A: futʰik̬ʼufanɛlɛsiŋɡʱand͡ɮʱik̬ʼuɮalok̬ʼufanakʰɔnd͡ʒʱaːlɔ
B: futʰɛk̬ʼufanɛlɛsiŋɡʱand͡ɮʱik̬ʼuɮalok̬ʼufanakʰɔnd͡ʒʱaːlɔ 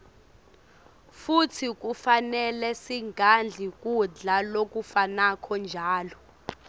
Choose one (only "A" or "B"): A